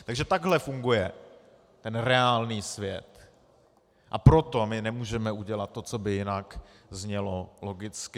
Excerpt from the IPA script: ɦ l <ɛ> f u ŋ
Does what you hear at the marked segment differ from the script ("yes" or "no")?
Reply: no